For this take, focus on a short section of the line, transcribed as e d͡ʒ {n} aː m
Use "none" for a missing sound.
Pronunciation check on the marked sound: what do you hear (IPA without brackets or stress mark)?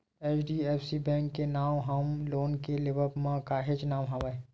n